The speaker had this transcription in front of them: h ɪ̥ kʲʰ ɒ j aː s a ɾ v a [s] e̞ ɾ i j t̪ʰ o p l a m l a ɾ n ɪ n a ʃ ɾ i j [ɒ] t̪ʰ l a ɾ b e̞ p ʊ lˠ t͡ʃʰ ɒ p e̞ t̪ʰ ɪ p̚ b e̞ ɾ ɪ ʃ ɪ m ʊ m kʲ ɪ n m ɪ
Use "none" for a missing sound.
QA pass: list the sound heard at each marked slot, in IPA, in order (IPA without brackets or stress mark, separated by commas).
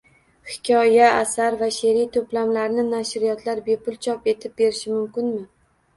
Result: ʃ, ɒ